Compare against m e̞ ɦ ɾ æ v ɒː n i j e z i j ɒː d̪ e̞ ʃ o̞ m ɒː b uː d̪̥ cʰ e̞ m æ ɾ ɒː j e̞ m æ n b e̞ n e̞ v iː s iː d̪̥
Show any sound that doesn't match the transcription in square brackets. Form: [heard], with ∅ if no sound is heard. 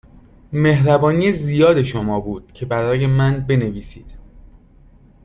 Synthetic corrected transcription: m e̞ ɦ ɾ æ [b] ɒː n i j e z i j ɒː d̪ e̞ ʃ o̞ m ɒː b uː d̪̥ cʰ e̞ [b] æ ɾ ɒː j e̞ m æ n b e̞ n e̞ v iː s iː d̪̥